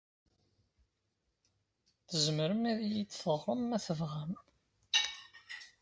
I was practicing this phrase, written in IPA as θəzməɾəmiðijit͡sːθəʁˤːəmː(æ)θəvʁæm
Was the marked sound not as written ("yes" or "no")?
no